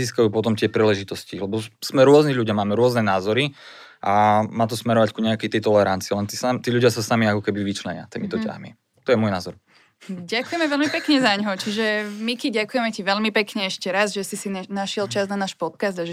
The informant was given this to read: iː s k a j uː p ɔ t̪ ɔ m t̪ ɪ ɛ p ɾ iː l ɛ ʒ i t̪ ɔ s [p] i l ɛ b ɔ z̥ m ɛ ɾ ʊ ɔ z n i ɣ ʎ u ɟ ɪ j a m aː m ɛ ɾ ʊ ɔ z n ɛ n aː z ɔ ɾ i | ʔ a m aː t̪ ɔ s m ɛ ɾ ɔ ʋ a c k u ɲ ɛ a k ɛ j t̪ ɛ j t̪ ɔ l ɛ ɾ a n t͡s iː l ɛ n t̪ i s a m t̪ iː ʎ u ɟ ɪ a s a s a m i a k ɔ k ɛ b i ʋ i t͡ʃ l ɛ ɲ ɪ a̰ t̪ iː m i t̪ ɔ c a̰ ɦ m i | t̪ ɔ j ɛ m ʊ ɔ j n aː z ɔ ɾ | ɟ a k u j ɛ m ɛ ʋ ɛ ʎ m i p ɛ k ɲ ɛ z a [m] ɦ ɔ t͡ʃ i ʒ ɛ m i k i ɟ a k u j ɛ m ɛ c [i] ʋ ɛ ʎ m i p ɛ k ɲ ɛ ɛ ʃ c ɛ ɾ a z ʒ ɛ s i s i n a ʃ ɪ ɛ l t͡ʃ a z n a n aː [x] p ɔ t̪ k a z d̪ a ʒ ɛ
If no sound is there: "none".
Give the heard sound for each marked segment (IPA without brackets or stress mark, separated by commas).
c, ɲ, i, ʃ